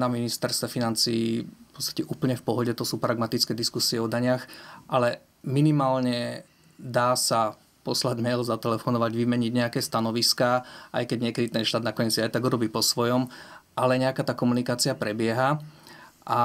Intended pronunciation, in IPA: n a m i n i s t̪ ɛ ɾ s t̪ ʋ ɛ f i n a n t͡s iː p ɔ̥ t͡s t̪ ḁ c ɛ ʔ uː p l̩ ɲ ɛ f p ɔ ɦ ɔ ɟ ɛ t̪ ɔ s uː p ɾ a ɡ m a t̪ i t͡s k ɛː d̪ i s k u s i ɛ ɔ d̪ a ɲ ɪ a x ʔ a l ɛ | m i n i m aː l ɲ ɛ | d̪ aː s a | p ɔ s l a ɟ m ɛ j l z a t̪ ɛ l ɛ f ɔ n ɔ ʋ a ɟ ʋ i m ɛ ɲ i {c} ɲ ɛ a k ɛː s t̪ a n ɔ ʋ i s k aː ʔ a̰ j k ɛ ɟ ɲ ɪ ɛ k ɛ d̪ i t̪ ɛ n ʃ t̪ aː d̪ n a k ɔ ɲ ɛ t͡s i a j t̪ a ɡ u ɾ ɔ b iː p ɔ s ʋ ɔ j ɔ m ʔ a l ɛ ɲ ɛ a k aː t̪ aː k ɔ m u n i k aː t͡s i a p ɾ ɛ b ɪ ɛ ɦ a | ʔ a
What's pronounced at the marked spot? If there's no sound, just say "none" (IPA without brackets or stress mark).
ɟ